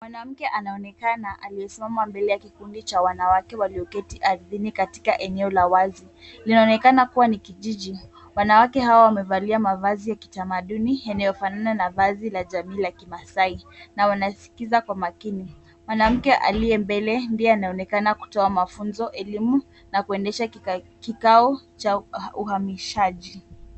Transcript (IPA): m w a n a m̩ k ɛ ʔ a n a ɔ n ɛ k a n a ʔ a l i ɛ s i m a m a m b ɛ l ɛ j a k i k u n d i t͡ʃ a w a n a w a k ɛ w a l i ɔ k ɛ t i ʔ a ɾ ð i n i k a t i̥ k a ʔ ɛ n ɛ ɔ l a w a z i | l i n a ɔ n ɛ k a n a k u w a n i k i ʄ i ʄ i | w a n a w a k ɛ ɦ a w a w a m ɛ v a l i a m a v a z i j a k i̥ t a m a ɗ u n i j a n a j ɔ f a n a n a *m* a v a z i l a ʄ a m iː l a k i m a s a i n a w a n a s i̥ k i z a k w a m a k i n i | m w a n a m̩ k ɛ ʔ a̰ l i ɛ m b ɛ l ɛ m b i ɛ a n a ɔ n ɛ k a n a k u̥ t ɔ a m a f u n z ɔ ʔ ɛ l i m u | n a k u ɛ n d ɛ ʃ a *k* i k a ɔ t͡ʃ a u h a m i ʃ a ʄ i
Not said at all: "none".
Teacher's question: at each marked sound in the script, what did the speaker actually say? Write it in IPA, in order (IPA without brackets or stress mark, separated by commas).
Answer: n, k